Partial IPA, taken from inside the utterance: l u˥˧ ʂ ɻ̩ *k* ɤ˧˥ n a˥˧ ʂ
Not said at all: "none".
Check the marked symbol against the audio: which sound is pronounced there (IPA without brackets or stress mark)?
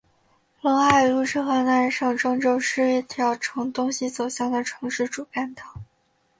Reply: x